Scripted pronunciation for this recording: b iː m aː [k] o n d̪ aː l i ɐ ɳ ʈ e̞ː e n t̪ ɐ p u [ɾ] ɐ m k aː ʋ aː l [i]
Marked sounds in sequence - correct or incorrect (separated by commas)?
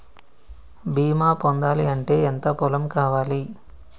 incorrect, incorrect, correct